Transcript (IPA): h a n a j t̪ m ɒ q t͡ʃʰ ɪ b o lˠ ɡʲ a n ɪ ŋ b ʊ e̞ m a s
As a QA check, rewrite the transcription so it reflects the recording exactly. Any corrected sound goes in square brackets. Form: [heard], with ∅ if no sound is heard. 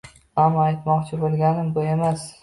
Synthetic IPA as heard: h a [m] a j t̪ m ɒ q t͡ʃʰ ɪ b o lˠ ɡʲ a n ɪ [m] b ʊ e̞ m a s